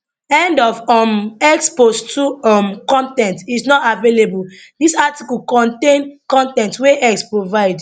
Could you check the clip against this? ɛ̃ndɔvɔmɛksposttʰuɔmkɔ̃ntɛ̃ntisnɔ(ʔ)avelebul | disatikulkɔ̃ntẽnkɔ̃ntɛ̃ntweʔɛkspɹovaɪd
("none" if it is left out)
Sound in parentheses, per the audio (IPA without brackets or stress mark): t